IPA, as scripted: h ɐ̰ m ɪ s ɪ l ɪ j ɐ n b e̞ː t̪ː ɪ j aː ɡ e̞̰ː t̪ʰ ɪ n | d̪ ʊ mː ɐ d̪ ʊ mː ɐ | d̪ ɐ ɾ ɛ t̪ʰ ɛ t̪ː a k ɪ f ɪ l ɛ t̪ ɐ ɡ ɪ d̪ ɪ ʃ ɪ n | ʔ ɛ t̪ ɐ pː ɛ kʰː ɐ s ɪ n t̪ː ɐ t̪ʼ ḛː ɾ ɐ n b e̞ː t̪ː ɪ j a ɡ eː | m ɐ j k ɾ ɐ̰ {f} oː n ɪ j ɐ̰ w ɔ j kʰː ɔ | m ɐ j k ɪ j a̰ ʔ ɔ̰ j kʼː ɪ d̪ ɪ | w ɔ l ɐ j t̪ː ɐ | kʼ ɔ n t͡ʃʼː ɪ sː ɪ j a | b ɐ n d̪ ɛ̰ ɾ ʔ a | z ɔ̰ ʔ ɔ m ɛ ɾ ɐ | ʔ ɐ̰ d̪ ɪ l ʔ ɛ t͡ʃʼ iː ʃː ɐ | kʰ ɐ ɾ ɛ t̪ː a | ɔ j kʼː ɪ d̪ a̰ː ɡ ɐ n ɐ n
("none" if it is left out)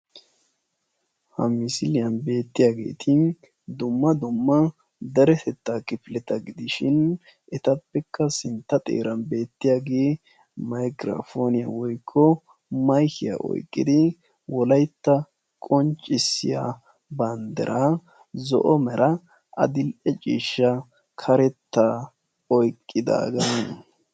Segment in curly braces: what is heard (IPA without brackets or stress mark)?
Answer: f